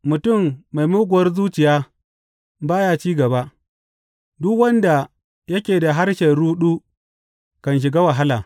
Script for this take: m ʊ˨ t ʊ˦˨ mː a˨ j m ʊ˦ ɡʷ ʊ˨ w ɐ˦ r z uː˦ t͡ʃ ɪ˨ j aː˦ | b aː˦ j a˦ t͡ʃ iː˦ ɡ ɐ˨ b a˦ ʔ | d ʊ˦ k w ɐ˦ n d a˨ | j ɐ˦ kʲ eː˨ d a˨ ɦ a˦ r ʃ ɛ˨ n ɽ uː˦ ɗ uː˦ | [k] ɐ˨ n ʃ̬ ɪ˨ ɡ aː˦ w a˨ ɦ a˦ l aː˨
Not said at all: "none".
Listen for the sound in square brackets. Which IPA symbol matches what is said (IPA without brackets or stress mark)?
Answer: k